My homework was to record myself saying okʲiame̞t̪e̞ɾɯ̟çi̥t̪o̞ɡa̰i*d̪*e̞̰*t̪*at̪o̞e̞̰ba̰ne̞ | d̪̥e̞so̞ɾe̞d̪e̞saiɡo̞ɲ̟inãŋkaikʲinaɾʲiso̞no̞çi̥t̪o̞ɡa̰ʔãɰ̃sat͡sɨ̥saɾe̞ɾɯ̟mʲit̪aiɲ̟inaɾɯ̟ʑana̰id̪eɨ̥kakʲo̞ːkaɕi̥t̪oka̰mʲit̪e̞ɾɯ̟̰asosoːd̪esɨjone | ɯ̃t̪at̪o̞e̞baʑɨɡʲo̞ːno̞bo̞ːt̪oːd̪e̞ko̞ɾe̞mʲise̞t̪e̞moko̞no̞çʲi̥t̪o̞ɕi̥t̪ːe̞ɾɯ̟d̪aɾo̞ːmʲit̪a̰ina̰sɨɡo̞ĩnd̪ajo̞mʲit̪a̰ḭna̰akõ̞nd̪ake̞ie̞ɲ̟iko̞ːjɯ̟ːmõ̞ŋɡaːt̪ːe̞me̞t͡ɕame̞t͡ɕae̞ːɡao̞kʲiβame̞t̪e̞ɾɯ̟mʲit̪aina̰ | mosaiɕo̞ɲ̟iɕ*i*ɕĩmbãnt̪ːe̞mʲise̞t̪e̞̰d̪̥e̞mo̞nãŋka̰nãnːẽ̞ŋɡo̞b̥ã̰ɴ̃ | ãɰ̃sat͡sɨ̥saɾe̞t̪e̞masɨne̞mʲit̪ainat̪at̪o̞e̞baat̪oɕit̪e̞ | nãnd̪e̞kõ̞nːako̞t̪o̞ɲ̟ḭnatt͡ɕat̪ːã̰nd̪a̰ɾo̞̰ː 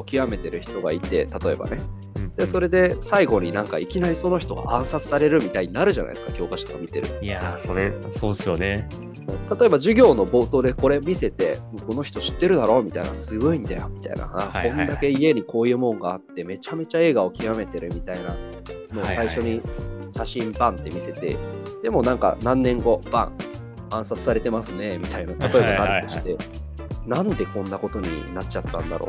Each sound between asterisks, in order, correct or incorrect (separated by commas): incorrect, correct, incorrect